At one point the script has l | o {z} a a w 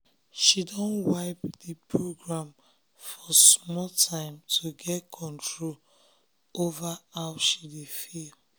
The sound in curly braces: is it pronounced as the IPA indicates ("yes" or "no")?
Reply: no